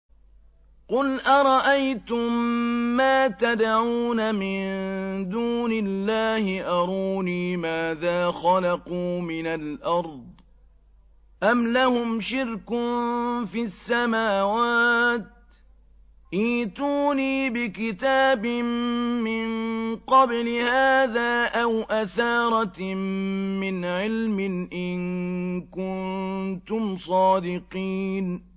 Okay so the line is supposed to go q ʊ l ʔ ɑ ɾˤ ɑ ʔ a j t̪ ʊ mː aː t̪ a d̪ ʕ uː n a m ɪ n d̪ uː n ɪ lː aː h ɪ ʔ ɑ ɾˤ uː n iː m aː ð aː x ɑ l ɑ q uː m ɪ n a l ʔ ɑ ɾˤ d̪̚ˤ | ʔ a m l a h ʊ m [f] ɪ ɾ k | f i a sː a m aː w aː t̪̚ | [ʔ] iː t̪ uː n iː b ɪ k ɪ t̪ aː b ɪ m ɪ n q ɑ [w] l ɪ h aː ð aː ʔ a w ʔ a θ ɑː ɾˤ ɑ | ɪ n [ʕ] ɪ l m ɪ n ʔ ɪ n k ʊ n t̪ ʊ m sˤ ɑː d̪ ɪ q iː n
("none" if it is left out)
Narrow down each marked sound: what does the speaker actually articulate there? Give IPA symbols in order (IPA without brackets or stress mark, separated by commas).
ʃ, ʔ, b, ʕ